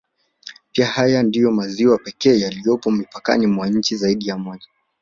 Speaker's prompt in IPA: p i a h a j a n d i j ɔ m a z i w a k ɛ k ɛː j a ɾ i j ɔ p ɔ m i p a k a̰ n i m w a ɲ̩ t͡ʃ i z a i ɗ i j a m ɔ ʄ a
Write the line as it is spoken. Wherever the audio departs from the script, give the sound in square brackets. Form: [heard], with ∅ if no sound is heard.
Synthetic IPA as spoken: p i a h a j a n d i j ɔ m a z i w a [p] ɛ k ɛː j a [l] i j ɔ p ɔ m i p a k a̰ n i m w a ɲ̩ t͡ʃ i z a i ɗ i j a m ɔ ʄ a